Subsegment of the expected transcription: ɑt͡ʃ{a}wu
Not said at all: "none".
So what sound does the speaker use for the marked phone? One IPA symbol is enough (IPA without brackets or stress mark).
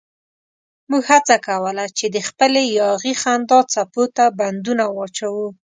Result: a